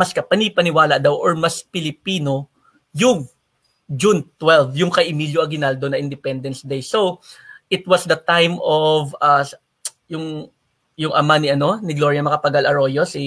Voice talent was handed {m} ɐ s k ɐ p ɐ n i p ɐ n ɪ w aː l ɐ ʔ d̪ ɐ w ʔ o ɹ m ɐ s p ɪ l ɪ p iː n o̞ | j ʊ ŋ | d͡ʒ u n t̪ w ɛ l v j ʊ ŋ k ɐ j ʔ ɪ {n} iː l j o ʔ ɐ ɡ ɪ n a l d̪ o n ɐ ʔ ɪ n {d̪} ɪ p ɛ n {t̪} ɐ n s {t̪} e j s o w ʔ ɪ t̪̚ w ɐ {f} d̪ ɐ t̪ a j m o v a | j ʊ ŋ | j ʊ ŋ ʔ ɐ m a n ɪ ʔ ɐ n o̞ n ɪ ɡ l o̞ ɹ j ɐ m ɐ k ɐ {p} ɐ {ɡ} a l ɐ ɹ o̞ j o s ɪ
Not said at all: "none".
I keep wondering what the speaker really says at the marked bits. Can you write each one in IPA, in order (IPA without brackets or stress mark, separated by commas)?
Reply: m, m, d̪, d̪, d̪, s, p, ɡ